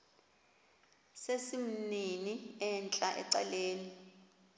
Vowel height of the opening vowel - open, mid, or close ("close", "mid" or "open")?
mid